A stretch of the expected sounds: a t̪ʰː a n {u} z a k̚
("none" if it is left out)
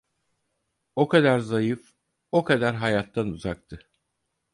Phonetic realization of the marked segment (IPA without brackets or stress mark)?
u